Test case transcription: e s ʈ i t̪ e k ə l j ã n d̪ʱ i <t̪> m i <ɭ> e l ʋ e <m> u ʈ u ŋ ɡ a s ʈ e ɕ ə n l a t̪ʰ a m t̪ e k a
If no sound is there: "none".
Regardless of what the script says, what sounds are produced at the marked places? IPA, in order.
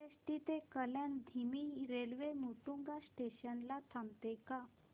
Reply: none, ɾ, m

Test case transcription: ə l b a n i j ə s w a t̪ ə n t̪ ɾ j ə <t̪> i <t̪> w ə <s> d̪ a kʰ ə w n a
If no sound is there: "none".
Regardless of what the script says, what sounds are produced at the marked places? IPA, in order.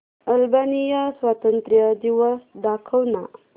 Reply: d̪, none, s

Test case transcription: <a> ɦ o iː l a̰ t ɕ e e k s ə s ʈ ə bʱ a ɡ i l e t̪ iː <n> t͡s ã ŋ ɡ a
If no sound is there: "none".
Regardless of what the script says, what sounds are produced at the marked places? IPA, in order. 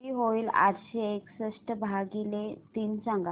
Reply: i, n

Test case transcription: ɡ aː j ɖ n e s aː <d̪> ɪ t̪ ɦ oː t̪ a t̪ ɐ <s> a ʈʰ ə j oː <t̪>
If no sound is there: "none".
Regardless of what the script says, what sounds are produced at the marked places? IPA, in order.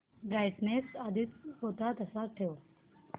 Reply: d̪, s, none

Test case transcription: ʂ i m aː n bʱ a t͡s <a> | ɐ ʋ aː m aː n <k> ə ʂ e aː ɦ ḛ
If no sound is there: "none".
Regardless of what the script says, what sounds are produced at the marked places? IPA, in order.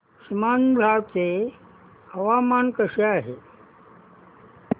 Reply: e, k

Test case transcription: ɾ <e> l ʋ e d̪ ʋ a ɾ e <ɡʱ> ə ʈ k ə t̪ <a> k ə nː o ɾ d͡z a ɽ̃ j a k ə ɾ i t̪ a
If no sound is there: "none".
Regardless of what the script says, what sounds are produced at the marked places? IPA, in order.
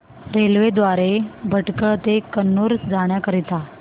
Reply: e, bʱ, e

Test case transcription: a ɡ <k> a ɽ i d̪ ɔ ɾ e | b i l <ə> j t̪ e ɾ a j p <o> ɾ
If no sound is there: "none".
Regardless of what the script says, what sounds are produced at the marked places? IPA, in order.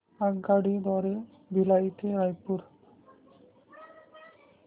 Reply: ɡ, a, u

